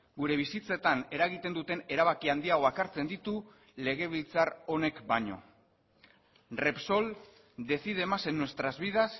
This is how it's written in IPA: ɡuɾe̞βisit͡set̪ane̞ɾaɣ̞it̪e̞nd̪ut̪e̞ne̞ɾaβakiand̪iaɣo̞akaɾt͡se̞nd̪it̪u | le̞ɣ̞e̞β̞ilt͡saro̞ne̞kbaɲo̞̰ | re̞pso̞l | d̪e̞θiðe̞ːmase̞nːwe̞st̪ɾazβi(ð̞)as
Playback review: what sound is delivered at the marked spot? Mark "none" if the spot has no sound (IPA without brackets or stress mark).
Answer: ð̞